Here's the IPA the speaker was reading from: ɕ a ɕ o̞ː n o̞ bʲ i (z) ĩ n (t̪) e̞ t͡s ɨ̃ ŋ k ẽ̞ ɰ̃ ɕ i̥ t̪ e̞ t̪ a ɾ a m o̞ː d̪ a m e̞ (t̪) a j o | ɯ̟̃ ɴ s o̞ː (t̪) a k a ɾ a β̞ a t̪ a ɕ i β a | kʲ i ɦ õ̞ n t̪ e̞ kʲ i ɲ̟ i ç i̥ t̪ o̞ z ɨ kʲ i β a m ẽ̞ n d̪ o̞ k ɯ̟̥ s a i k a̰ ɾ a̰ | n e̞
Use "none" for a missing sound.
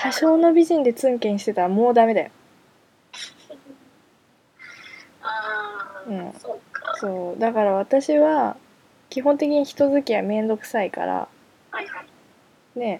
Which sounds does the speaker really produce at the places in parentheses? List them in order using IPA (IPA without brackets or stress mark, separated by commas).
ʑ, d̪, d̪, d̪